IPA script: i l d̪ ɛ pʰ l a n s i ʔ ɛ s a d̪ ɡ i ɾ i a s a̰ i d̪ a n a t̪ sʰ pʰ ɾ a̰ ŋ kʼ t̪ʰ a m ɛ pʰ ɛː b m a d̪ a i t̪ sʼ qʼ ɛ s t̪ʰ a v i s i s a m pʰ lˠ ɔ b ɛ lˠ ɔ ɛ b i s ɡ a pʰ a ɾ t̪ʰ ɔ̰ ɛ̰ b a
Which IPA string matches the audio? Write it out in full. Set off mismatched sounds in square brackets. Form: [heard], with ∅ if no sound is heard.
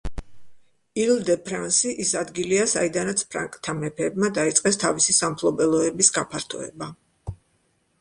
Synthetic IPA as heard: i l d̪ ɛ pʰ [ɾ] a n s i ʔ [i] s a d̪ ɡ i [l] i a s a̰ i d̪ a n a t̪ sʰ pʰ ɾ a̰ ŋ kʼ t̪ʰ a m ɛ pʰ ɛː b m a d̪ a i t̪ sʼ qʼ ɛ s t̪ʰ a v i s i s a m pʰ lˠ ɔ b ɛ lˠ ɔ ɛ b i s ɡ a pʰ a ɾ t̪ʰ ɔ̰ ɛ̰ b a